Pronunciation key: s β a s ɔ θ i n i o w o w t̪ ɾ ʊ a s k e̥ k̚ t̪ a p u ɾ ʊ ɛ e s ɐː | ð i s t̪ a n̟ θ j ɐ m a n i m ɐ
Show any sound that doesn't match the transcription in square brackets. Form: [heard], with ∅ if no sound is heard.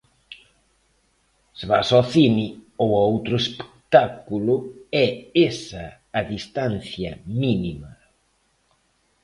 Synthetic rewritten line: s β a s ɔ θ i n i o w o w t̪ ɾ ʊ [e] s [p] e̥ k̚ t̪ a [k] u [l] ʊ ɛ e s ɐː | ð i s t̪ a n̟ θ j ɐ m [i] n i m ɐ

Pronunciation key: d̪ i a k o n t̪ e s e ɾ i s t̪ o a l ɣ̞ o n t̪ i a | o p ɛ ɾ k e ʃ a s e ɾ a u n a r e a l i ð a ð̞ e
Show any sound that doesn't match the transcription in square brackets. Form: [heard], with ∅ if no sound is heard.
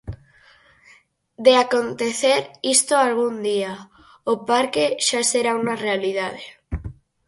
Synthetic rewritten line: d̪ [e] a k o n t̪ e [θ] e ɾ i s t̪ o a l ɣ̞ [u] n [d̪] i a | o p [a] ɾ k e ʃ a s e ɾ a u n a r e a l i ð a ð̞ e

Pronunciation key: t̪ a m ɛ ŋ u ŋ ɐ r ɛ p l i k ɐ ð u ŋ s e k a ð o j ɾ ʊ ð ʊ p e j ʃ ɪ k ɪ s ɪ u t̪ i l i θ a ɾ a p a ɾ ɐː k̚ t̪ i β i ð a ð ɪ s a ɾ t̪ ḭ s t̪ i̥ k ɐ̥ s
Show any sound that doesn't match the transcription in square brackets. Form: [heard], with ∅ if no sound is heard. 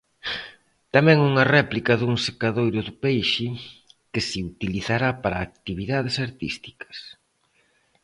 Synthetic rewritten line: t̪ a m ɛ ŋ u ŋ ɐ r ɛ p l i k ɐ ð u ŋ s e k a ð o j ɾ ʊ ð ʊ p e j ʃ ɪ k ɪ s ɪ u t̪ i l i θ a ɾ a p a ɾ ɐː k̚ t̪ i β i ð a ð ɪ s a ɾ t̪ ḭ s t̪ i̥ k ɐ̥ s

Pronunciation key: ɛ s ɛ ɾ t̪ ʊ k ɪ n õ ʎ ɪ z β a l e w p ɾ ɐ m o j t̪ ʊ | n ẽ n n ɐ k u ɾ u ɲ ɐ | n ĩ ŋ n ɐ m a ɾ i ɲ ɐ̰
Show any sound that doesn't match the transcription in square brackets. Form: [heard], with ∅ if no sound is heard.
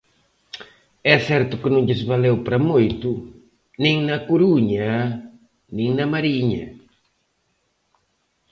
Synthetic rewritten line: ɛ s ɛ ɾ t̪ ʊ k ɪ n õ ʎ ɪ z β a l e w p ɾ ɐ m o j t̪ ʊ | n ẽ [ŋ] n ɐ k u ɾ u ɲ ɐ | n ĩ ŋ n ɐ m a ɾ i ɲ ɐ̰

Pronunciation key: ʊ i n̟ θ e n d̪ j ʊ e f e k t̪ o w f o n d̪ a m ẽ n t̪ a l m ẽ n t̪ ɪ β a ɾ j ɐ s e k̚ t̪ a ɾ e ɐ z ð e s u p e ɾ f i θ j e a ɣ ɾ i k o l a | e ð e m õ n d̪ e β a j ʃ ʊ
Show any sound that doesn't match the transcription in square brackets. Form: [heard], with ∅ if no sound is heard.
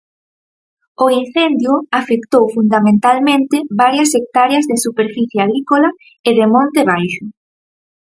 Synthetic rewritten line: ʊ i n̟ θ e n d̪ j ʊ [a] f e k t̪ o w f [u] n d̪ a m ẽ n t̪ a l m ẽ n t̪ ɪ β a ɾ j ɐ s e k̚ t̪ a ɾ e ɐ z ð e s u p e ɾ f i θ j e a ɣ ɾ i k o l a | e ð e m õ n [t̪] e β a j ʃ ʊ

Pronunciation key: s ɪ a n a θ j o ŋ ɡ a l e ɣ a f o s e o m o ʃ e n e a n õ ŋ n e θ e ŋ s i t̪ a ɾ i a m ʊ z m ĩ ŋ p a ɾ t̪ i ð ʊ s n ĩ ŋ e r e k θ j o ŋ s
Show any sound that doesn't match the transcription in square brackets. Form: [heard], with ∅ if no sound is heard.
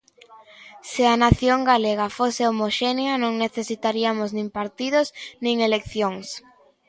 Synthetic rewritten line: s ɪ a n a θ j o ŋ ɡ a l e ɣ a f o s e o m o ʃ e n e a n õ ŋ n e θ e [∅] s i t̪ a ɾ i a m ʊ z [n] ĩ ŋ p a ɾ t̪ i ð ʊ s n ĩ ŋ e [l] e k θ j o ŋ s

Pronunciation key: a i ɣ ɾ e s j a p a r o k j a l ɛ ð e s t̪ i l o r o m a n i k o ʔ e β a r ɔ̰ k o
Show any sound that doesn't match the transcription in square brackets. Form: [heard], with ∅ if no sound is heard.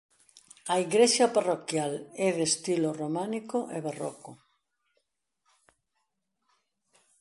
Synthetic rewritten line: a i ɣ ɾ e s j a p a r o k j a l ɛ ð e s t̪ i l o r o m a n i k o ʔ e β a r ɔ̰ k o

